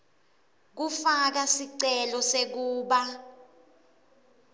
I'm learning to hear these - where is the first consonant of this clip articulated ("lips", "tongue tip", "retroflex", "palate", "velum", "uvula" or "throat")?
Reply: velum